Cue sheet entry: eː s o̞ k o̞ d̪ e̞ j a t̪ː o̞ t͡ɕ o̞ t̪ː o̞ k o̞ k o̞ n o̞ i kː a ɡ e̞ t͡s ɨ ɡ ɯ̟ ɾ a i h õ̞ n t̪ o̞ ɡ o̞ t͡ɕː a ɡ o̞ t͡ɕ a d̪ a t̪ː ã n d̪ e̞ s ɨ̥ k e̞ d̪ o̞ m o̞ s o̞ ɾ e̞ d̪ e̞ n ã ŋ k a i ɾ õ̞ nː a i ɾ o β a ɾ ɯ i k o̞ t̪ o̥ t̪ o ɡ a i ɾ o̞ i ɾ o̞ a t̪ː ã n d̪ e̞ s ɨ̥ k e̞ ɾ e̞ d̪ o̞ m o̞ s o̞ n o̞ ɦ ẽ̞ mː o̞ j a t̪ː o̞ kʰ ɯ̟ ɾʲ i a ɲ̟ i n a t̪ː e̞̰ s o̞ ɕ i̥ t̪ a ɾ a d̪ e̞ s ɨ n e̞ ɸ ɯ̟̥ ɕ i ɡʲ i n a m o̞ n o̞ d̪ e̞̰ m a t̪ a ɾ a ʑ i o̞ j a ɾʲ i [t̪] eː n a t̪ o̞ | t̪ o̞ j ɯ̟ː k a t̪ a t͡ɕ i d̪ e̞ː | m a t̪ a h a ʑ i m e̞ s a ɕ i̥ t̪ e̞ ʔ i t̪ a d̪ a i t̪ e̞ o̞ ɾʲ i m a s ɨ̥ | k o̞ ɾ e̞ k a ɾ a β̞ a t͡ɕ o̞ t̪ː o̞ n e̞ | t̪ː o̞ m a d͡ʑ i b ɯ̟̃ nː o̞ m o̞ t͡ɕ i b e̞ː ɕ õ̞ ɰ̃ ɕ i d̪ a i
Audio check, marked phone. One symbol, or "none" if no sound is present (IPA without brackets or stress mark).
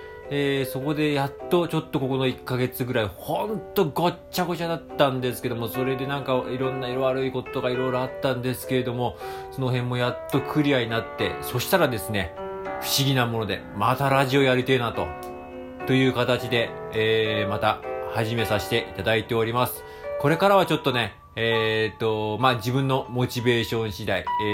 t̪